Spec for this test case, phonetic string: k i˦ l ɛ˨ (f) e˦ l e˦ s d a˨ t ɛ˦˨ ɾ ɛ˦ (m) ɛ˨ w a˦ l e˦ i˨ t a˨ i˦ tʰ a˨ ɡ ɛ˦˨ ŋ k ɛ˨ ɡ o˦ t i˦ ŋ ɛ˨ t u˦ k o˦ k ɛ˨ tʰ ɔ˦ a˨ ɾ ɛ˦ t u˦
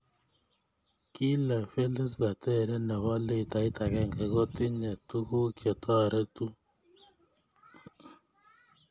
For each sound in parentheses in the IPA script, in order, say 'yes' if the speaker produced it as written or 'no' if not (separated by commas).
yes, no